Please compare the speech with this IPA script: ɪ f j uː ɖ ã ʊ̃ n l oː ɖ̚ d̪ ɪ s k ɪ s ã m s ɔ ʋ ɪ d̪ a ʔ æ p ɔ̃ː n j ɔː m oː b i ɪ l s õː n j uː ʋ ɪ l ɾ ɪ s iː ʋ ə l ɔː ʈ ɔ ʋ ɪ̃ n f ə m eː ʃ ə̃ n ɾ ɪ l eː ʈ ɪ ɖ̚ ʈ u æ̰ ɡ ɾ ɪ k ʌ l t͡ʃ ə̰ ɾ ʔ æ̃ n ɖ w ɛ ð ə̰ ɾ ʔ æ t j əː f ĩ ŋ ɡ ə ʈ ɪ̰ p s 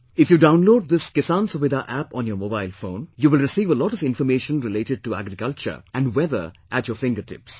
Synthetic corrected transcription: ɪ f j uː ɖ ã ʊ̃ n l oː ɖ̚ d̪ ɪ s k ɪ s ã n s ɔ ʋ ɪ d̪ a ʔ æ p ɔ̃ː n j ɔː m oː b a ɪ l f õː n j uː ʋ ɪ l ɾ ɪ s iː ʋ ə l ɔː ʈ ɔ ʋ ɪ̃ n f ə m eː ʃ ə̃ n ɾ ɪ l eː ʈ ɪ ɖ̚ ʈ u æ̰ ɡ ɾ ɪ k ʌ l t͡ʃ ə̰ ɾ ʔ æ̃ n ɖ w ɛ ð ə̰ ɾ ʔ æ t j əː f ɪ̃ ŋ ɡ ə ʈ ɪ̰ p s